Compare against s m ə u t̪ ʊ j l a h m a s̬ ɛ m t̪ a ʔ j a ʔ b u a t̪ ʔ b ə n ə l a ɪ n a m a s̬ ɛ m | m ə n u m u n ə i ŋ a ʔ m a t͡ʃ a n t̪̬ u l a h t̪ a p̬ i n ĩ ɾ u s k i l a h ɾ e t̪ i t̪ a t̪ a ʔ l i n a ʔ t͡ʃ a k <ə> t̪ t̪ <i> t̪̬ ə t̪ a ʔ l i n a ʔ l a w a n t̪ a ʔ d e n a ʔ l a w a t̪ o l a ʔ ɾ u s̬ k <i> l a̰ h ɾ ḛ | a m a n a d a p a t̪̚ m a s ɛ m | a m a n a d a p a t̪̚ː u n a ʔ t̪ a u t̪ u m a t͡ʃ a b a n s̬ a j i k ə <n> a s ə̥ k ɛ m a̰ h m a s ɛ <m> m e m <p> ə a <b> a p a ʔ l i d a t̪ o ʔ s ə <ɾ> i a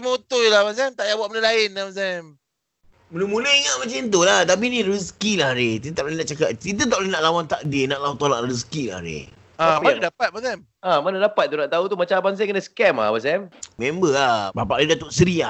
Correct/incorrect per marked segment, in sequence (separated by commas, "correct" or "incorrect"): incorrect, correct, correct, correct, correct, incorrect, correct, correct